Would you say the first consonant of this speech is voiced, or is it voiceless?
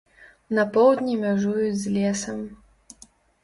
voiced